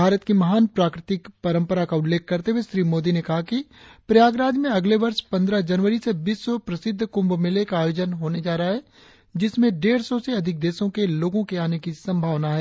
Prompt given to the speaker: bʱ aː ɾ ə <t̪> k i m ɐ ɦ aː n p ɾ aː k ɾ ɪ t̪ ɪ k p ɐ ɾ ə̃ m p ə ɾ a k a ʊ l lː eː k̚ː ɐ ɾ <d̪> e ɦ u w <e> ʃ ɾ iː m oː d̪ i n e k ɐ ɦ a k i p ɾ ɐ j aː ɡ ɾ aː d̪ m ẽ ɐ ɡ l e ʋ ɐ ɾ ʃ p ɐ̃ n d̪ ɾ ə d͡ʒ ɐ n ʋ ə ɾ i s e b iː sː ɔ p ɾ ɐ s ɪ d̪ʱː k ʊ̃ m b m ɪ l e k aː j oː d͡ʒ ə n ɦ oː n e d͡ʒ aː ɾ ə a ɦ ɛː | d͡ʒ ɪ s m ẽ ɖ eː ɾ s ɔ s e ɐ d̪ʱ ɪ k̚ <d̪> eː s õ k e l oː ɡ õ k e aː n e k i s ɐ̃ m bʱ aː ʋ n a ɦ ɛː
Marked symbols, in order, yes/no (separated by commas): yes, no, yes, yes